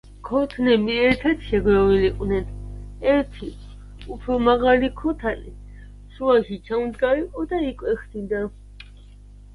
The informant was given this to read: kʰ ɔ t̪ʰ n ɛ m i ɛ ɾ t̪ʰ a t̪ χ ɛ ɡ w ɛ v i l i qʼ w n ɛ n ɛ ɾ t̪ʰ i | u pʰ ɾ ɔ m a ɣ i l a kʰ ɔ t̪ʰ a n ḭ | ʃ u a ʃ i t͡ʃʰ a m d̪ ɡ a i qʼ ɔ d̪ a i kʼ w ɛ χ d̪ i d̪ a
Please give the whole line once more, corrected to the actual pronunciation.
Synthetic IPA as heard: kʰ ɔ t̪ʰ n ɛ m i ɛ ɾ t̪ʰ a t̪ ʃ ɛ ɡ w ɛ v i l i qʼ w n ɛ n ɛ ɾ t̪ʰ i | u pʰ ɾ ɔ m a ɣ a l i kʰ ɔ t̪ʰ a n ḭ | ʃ u a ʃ i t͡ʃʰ a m d̪ ɡ a i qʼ ɔ d̪ a i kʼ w ɛ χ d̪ i d̪ a